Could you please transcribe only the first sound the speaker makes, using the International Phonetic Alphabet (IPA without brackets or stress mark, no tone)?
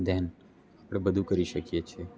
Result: d̪